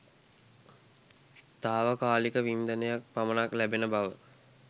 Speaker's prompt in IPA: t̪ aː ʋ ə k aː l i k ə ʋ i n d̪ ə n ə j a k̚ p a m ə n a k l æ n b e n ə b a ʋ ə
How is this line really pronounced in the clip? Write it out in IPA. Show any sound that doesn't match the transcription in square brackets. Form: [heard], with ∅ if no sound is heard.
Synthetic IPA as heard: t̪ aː ʋ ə k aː l i k ə ʋ i n d̪ ə n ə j a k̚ p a m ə n a k l æ [∅] b e n ə b a ʋ ə

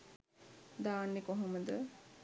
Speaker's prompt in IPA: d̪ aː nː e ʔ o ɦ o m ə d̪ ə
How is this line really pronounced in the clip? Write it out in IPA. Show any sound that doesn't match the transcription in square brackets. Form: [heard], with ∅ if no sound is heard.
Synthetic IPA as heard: d̪ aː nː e [k] o ɦ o m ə d̪ ə

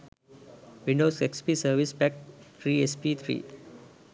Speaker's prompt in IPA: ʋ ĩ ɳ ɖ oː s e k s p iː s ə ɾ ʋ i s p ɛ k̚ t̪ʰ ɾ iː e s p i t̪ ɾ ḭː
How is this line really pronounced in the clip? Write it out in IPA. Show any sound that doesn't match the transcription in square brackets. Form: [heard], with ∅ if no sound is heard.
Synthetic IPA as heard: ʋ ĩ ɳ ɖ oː s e k s p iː s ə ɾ ʋ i s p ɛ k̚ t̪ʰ ɾ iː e s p i [t̪ʰ] ɾ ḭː

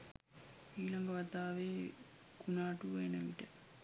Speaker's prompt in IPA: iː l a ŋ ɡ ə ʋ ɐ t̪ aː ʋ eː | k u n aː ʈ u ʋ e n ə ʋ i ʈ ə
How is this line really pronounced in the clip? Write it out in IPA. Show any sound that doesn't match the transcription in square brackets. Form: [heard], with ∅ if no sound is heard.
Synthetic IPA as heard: iː l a ŋ ɡ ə ʋ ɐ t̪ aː ʋ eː | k u n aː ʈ u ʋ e n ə ʋ i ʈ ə

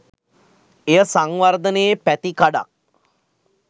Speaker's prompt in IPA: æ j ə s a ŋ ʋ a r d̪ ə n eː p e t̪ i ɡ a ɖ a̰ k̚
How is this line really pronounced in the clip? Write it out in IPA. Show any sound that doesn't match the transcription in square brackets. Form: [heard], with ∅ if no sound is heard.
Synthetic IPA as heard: [e] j ə s a ŋ ʋ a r d̪ ə n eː p [æ] t̪ i [k] a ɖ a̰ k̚

